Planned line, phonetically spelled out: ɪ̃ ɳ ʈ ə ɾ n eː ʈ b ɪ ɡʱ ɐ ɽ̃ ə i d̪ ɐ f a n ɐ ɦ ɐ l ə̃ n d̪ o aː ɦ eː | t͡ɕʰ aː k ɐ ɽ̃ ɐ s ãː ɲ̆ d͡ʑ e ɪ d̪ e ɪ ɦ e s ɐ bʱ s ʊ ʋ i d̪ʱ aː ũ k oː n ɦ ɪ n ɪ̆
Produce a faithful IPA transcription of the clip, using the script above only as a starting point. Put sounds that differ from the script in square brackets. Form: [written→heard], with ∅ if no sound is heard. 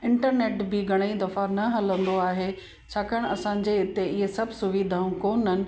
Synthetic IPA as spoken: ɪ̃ ɳ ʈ ə ɾ n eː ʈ b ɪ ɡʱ ɐ ɽ̃ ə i d̪ ɐ f a n ɐ ɦ ɐ l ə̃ n d̪ o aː ɦ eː | t͡ɕʰ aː k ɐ ɽ̃ ɐ s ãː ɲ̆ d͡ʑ e ɪ [d̪→t̪] e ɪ ɦ e s ɐ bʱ s ʊ ʋ i d̪ʱ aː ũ k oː n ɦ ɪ n ɪ̆